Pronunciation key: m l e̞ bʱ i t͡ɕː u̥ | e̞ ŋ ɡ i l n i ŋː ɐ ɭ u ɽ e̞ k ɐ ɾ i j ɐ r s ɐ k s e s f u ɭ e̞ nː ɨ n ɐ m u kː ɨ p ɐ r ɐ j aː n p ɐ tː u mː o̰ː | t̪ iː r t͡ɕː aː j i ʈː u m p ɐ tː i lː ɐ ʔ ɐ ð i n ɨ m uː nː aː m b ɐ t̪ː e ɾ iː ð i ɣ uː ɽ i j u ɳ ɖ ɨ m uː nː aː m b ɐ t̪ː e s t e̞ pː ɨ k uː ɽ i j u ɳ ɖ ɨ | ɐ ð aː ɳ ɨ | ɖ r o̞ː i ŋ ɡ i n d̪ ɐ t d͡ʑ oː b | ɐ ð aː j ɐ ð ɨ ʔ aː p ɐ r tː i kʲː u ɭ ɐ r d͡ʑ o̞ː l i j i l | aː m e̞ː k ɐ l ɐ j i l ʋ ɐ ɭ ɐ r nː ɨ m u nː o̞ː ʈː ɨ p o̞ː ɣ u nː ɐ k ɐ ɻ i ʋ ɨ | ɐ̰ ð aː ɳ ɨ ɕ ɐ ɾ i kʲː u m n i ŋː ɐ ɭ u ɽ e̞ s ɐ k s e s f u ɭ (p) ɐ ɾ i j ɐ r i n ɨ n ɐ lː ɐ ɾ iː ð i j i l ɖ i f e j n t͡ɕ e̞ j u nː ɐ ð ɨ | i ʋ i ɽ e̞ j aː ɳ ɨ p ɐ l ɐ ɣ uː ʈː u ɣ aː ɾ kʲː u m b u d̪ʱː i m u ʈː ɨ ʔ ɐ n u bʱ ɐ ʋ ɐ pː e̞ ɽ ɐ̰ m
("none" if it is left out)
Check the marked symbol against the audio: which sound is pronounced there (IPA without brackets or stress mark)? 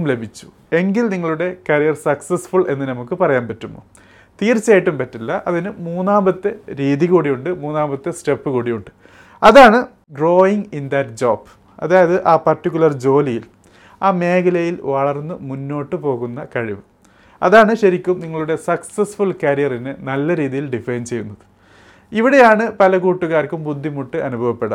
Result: k